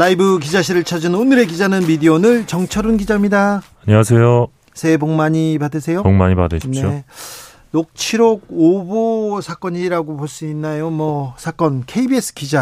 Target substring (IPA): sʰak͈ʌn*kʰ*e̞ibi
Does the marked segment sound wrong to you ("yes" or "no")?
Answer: no